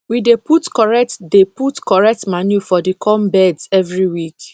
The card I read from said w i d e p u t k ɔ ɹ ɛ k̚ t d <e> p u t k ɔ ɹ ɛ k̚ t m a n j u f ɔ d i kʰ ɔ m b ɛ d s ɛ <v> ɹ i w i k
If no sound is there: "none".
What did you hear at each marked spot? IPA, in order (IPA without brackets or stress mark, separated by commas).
e, v